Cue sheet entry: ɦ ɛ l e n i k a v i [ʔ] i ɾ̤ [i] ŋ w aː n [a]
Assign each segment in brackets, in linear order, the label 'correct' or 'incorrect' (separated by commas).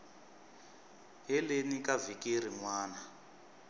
incorrect, correct, correct